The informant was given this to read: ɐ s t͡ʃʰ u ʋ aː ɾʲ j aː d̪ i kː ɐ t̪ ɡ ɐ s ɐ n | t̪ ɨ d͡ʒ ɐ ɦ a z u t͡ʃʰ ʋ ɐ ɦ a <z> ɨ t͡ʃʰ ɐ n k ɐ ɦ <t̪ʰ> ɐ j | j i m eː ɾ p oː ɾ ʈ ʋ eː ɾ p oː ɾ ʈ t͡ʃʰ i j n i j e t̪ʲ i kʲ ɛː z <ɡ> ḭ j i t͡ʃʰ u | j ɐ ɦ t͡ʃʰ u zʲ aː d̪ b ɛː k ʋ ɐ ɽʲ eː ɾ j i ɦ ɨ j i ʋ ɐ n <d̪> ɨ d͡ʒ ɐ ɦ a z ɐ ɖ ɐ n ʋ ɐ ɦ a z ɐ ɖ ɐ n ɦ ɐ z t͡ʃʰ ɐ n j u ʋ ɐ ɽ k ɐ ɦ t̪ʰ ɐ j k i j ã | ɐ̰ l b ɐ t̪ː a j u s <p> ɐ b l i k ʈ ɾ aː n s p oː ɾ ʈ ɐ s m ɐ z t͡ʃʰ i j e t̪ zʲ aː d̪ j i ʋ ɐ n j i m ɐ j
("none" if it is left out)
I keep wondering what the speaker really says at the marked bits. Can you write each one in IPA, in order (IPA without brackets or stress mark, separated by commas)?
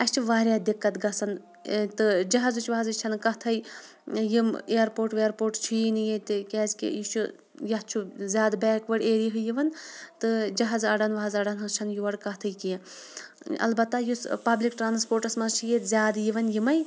z, t̪ʰ, k, t̪, p